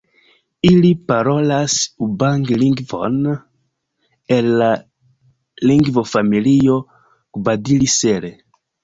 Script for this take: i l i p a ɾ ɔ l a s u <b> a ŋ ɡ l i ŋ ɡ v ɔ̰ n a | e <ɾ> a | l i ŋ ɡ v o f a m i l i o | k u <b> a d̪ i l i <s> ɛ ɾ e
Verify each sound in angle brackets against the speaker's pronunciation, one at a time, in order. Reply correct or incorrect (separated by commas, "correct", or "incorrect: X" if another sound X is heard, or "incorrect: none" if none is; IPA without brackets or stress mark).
correct, incorrect: l, correct, correct